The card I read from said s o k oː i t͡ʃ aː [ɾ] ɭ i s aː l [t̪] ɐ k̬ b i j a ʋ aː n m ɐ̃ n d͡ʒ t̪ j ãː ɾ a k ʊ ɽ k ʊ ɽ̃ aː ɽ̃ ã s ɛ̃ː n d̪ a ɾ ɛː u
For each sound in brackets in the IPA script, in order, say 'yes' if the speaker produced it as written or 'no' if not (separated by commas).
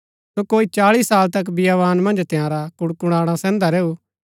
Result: no, yes